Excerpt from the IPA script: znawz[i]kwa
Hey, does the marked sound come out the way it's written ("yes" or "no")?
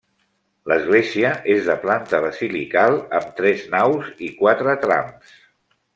yes